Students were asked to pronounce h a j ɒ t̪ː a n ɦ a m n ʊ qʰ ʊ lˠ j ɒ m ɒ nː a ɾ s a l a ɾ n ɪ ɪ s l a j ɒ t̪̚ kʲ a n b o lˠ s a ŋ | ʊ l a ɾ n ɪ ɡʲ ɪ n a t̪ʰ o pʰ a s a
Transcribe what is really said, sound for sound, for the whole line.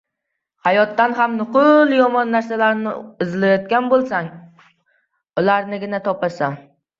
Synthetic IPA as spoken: h a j ɒ t̪ː a n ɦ a m n ʊ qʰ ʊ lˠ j ɒ m ɒ nː a ɾ s a l a ɾ n ɪ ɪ z l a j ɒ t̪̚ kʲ a n b o lˠ s a ŋ | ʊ l a ɾ n ɪ ɡʲ ɪ n a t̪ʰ ɒ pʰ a s a